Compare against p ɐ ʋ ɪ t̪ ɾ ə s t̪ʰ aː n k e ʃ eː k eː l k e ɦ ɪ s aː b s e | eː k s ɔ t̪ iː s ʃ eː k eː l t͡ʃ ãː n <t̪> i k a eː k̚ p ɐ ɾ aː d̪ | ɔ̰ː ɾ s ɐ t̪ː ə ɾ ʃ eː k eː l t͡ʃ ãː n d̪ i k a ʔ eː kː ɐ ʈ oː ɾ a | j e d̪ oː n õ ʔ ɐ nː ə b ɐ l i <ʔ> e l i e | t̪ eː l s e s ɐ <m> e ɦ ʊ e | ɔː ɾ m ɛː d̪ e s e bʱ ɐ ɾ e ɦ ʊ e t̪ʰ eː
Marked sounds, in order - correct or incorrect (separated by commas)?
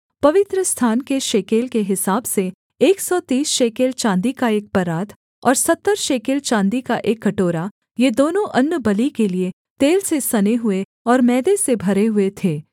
incorrect, incorrect, incorrect